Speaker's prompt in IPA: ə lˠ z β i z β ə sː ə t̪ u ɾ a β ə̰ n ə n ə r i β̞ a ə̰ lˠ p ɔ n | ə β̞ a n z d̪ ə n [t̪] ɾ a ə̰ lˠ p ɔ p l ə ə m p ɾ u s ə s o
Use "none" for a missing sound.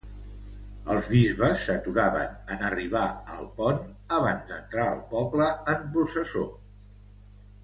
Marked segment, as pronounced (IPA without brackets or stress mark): t̪